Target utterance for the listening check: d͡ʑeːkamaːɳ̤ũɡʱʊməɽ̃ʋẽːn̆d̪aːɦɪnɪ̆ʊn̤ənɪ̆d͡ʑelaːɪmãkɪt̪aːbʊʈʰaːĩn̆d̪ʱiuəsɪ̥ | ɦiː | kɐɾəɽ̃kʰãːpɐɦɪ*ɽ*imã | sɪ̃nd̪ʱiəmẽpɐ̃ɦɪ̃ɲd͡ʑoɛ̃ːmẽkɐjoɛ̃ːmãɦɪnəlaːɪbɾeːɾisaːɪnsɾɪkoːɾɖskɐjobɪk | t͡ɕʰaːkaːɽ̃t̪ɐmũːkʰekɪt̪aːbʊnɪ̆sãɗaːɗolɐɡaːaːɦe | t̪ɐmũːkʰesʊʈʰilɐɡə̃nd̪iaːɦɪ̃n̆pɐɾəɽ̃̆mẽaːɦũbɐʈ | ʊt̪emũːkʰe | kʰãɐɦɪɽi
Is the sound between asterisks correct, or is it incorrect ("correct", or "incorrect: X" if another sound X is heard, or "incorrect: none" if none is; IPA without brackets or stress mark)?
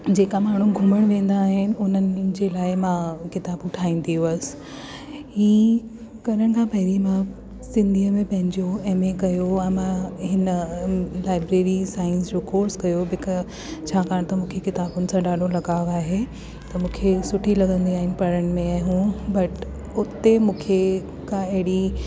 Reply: incorrect: ɾ